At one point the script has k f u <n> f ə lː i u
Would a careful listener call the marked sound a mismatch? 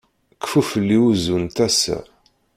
yes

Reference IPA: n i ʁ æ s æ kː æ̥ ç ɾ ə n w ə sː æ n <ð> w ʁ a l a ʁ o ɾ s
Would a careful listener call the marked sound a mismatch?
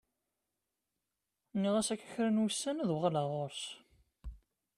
no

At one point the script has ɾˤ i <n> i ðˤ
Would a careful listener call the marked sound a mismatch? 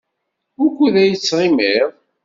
yes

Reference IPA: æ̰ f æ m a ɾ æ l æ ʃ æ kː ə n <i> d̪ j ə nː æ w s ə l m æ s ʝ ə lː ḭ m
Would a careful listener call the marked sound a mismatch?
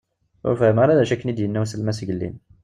no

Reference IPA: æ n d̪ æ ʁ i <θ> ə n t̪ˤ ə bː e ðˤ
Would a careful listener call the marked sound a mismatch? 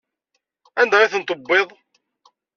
no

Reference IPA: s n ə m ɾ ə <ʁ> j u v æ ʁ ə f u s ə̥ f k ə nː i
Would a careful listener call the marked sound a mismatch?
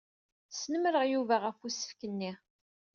no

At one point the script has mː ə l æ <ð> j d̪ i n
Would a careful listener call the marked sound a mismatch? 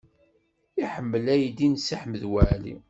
yes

